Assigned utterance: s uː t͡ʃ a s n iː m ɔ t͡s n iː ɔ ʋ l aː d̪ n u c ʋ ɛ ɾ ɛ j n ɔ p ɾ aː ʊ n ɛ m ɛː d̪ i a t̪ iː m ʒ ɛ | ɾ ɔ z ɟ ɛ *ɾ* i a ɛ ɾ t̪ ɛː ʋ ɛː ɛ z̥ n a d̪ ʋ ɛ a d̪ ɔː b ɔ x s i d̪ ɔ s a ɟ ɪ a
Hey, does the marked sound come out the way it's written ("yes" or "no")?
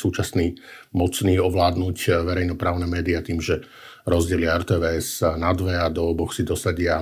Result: no